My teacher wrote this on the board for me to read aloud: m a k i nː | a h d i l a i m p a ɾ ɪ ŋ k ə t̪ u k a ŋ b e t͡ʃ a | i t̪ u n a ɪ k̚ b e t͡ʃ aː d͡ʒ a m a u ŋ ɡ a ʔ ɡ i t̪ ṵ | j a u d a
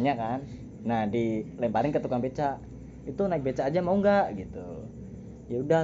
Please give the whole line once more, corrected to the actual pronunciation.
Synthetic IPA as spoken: ɲ a k a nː | a h d i l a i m p a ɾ ɪ ŋ k ə t̪ u k a ŋ b e t͡ʃ a | i t̪ u n a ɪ k̚ b e t͡ʃ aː d͡ʒ a m a u ŋ ɡ a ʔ ɡ i t̪ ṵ | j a u d a